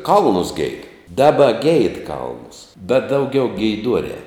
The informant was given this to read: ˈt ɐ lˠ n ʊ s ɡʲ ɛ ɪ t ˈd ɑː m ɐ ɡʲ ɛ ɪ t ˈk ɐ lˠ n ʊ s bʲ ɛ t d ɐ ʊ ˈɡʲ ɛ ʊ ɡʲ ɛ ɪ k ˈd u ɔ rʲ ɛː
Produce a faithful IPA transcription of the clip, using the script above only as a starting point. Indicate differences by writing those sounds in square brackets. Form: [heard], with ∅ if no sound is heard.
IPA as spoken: [ˈk] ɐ lˠ n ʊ s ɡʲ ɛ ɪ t ˈd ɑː [b] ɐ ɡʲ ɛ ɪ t ˈk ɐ lˠ n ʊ s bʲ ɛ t d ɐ ʊ ˈɡʲ ɛ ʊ ɡʲ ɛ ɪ [∅] ˈd u ɔ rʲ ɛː